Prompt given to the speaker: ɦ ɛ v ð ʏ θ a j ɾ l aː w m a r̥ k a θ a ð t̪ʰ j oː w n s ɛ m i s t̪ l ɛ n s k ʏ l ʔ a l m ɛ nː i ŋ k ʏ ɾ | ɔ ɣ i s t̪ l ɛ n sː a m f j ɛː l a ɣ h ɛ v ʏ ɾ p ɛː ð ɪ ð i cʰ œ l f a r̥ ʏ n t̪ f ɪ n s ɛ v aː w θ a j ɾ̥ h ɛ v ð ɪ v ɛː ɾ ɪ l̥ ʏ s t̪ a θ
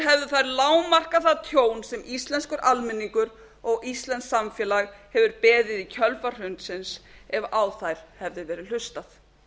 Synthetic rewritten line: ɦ ɛ v ð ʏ θ a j ɾ l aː w m a r̥ k a θ a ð t̪ʰ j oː w n s ɛ m i s t̪ l ɛ n s k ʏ ɾ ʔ a l m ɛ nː i ŋ k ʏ ɾ | ɔ ɣ i s t̪ l ɛ n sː a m f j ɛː l a ɣ h ɛ v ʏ ɾ p ɛː ð ɪ ð i cʰ œ l f a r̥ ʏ n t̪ s ɪ n s ɛ v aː w θ a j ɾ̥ h ɛ v ð ɪ v ɛː ɾ ɪ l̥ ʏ s t̪ a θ